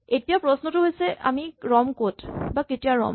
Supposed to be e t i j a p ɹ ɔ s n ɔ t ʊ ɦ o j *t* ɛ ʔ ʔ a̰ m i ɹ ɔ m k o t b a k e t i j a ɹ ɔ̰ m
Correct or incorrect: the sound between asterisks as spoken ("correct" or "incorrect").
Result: incorrect